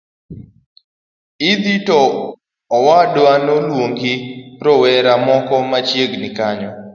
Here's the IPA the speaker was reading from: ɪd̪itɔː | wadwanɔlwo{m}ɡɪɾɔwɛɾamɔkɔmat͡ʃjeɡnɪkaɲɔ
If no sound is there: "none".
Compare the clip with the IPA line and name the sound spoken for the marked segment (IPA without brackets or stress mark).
ŋ